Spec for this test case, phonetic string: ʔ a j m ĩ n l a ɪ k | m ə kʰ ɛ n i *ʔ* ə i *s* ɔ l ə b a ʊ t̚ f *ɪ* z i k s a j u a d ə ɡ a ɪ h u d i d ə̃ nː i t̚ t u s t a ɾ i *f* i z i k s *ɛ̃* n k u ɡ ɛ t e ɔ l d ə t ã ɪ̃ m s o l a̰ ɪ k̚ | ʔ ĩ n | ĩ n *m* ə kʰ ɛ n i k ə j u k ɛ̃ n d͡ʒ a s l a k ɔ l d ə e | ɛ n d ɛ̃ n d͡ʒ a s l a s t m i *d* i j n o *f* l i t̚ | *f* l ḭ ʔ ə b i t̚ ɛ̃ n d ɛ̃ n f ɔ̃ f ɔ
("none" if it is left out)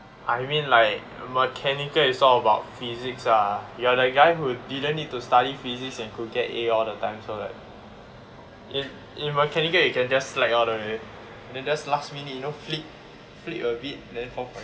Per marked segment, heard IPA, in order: k, s, i, f, ɛ̃, m, n, f, f

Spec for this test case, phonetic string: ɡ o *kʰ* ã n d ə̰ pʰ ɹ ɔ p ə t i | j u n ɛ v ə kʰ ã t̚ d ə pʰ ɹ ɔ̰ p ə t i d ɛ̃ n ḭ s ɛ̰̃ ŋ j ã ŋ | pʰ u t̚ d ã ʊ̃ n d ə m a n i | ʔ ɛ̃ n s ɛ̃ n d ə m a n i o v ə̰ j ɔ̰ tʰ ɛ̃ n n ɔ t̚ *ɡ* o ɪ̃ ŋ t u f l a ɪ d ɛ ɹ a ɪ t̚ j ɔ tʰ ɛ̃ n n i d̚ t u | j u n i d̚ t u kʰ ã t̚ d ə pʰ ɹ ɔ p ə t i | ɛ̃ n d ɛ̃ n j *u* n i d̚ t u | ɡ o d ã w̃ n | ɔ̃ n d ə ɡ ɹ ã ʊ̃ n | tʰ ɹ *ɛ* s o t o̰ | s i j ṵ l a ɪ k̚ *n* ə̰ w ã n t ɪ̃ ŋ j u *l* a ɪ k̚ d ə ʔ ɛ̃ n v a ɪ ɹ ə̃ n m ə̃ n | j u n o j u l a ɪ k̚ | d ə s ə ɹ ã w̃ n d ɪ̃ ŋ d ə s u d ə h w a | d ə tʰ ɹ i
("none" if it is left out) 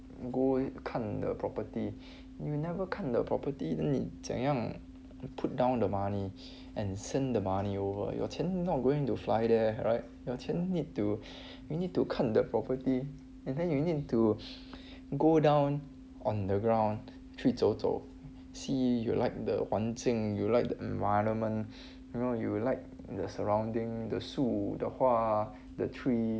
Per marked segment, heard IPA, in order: kʰ, ɡ, u, i, d, l

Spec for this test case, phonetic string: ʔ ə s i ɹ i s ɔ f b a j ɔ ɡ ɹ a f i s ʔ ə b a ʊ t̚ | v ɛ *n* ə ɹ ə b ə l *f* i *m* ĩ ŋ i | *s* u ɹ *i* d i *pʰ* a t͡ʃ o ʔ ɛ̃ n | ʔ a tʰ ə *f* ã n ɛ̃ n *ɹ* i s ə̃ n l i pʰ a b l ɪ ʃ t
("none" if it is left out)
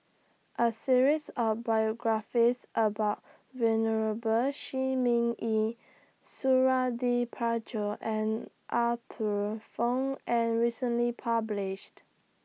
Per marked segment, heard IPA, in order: n, ʃ, m, s, a, pʰ, f, ɹ

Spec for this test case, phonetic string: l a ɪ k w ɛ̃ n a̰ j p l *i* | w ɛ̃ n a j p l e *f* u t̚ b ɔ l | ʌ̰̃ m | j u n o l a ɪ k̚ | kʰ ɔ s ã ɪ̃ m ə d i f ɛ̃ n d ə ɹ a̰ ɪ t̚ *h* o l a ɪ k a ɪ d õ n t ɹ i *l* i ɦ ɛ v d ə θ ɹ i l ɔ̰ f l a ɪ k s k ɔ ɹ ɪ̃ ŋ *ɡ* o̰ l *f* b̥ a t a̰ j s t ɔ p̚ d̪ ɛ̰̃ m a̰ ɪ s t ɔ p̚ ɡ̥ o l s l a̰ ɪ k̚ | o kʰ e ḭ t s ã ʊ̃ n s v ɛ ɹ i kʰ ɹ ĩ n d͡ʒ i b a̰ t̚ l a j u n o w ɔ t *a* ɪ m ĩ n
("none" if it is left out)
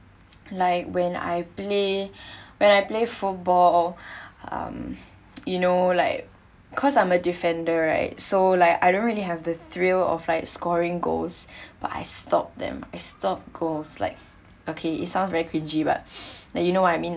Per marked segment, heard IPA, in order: e, f, s, l, ɡ, s, a

